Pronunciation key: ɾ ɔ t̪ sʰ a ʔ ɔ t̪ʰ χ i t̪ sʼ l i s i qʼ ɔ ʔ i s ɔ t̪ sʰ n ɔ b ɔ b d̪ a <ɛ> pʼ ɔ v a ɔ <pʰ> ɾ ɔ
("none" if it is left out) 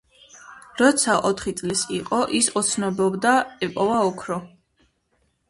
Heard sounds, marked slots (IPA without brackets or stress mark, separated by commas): ɛ, kʰ